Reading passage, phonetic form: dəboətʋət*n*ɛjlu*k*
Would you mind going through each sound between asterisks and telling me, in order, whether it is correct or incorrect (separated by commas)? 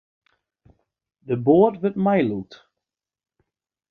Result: incorrect, incorrect